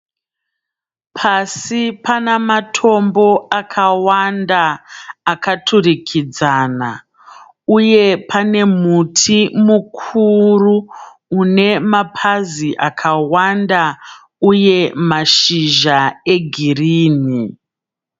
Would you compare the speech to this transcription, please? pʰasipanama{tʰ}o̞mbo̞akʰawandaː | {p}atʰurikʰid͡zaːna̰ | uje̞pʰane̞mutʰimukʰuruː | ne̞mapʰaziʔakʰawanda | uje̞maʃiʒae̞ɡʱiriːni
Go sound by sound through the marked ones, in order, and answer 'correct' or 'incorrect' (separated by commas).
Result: correct, incorrect